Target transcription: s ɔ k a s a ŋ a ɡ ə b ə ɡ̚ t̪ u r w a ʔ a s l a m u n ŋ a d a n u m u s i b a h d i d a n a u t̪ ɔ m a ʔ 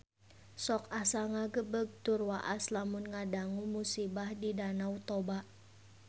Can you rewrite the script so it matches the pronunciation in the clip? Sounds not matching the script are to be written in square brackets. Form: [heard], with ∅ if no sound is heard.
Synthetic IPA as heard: s ɔ k a s a ŋ a ɡ ə b ə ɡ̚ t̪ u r w a ʔ a s l a m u n ŋ a d a [ŋ] u m u s i b a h d i d a n a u t̪ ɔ [b] a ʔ